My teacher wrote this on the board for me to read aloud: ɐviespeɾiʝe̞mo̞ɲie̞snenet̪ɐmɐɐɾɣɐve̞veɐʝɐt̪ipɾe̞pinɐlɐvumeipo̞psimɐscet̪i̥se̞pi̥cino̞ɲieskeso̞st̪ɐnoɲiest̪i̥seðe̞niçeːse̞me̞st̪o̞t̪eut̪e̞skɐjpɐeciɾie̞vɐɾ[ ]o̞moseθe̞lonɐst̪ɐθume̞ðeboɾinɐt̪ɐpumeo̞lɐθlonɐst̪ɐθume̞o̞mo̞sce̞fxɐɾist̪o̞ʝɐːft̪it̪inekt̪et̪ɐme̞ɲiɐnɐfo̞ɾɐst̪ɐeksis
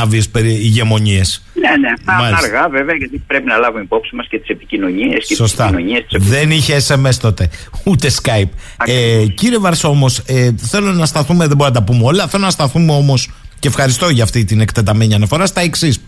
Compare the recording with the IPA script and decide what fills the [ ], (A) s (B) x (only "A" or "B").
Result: A